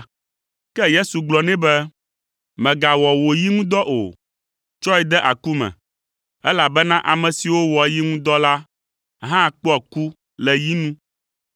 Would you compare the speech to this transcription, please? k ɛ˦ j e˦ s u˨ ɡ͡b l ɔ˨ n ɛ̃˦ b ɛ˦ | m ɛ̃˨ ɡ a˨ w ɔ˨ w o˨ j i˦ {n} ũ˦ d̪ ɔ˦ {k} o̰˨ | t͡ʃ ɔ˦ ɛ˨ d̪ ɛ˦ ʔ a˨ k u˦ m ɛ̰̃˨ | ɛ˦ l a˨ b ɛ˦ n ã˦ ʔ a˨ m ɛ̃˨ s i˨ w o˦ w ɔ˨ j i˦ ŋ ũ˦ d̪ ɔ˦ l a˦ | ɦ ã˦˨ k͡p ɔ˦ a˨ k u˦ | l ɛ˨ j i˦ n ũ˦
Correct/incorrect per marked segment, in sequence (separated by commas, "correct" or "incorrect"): incorrect, incorrect